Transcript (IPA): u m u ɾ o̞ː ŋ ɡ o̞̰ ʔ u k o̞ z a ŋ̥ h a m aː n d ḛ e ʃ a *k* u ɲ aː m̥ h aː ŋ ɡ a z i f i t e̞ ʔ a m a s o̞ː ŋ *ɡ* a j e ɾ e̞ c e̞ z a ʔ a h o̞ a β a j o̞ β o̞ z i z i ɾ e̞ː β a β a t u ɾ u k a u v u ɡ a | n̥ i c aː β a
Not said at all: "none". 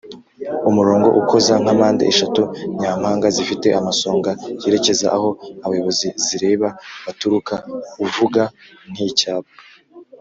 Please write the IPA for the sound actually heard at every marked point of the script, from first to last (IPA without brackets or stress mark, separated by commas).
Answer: t, ɡ